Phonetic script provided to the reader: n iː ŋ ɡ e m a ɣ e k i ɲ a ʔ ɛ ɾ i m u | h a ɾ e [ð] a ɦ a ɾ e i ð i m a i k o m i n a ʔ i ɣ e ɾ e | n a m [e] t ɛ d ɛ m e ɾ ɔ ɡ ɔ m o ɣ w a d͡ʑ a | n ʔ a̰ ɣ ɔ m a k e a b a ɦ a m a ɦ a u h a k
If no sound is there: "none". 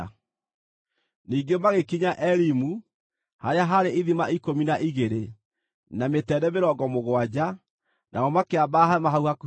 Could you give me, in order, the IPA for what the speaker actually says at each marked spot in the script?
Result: none, e

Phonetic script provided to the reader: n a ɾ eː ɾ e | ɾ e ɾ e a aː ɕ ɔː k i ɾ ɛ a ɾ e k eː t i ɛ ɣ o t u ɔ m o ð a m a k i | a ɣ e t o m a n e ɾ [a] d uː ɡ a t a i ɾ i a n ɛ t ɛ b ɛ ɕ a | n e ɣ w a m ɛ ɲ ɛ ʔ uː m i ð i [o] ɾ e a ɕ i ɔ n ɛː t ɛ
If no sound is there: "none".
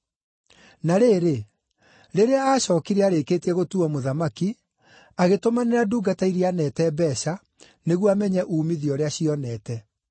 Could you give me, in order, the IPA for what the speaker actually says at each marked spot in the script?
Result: a, ɔ

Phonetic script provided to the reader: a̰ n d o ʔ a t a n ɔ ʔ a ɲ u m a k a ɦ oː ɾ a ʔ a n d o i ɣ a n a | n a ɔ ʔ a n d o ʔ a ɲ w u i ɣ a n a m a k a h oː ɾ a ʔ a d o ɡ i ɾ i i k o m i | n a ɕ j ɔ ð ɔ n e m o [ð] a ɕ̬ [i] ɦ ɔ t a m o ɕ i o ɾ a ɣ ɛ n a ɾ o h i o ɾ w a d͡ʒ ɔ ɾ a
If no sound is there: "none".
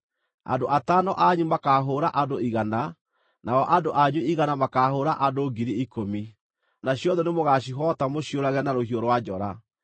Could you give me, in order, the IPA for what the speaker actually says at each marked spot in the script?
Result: ɣ, i

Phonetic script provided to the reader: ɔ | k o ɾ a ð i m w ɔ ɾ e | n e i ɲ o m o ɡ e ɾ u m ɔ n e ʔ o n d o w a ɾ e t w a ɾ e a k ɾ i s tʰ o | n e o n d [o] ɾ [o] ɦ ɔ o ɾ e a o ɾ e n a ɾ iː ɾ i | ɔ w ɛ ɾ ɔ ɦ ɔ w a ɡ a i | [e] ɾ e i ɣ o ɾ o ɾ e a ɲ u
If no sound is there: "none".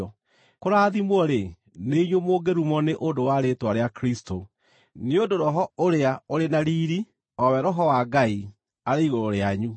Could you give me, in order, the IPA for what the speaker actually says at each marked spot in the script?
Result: o, ɔ, a

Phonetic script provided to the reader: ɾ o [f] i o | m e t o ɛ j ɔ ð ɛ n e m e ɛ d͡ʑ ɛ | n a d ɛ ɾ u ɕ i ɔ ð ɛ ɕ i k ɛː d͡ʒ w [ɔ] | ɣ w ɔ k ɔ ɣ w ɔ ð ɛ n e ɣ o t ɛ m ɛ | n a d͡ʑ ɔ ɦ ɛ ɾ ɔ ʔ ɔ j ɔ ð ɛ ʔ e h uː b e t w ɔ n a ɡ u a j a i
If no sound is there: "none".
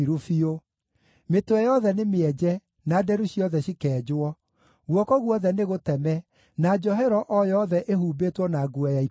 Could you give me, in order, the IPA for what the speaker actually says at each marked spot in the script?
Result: f, ɔ

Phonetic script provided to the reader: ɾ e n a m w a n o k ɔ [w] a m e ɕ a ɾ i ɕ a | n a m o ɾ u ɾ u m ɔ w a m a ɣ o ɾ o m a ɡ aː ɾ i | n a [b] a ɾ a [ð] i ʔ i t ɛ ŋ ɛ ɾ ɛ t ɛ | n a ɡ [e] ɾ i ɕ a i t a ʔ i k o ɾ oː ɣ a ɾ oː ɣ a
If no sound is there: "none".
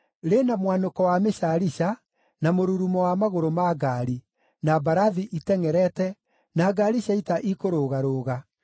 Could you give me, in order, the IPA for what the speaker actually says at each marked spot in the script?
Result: w, b, ð, a

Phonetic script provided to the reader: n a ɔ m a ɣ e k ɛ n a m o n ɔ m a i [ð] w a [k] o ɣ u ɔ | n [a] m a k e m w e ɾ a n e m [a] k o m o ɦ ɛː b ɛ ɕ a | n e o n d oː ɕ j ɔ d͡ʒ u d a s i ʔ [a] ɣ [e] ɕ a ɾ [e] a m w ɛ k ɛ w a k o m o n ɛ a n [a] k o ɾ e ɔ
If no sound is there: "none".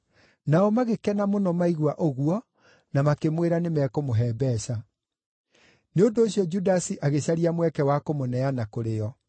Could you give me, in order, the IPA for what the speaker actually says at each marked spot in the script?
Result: ɣ, ʔ, a, ɛ, a, e, i, a

